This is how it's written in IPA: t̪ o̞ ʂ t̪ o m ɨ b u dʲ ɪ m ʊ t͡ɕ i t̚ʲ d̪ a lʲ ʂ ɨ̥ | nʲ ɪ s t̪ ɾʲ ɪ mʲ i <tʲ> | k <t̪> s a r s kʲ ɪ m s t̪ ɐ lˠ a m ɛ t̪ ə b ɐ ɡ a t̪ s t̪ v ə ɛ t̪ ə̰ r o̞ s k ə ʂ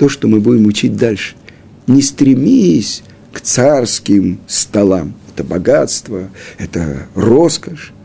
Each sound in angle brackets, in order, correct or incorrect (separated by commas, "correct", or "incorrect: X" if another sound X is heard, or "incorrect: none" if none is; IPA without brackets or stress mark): incorrect: sʲ, correct